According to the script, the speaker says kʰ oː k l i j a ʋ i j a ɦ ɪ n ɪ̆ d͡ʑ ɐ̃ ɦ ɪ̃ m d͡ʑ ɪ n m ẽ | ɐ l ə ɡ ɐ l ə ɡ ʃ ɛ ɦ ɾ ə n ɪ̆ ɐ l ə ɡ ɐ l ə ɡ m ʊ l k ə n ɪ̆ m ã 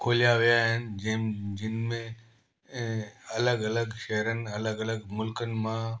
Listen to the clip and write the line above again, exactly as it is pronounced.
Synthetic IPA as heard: kʰ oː l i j a ʋ i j a ɦ ɪ n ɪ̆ d͡ʑ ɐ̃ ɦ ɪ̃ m d͡ʑ ɪ n m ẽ | ɐ l ə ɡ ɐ l ə ɡ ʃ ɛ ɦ ɾ ə n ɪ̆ ɐ l ə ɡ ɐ l ə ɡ m ʊ l k ə n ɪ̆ m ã